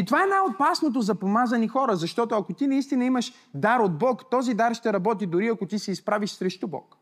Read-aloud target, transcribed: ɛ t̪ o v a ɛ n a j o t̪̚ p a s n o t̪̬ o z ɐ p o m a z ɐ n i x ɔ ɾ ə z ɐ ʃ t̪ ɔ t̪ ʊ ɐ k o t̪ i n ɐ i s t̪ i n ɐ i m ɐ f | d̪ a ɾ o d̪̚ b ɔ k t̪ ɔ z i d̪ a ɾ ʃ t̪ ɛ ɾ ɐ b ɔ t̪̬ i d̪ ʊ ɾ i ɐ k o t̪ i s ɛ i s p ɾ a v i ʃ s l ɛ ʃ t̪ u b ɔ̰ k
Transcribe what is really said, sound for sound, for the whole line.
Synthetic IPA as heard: i t̪ o v a ɛ n a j o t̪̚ p a s n o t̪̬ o z ɐ p o m a z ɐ n i x ɔ ɾ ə z ɐ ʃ t̪ ɔ t̪ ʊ ɐ k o t̪ i n ɐ i s t̪ i n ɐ i m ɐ ʃ | d̪ a ɾ o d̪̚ b ɔ k t̪ ɔ z i d̪ a ɾ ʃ t̪ ɛ ɾ ɐ b ɔ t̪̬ i d̪ ʊ ɾ i ɐ k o t̪ i s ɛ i s p ɾ a v i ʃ s ɾ ɛ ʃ t̪ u b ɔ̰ k